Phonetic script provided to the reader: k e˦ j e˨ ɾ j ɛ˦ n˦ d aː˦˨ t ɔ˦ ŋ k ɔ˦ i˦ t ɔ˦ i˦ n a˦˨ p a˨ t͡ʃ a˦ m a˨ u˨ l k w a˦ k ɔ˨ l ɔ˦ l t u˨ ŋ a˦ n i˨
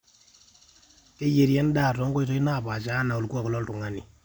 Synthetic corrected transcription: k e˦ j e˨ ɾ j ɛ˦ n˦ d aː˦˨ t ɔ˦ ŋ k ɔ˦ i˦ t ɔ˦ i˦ n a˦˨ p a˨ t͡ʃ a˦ n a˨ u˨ l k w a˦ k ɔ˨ l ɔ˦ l t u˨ ŋ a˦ n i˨